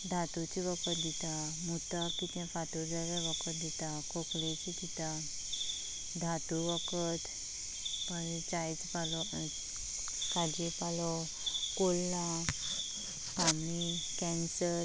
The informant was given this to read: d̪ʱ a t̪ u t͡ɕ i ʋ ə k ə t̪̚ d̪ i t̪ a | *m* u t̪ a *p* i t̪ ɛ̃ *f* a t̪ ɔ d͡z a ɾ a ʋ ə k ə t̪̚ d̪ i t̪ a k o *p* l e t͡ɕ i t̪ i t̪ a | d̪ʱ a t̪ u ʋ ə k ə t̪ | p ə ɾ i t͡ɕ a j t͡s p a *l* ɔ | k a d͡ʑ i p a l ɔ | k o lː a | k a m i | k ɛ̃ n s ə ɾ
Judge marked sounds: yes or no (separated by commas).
yes, no, yes, no, yes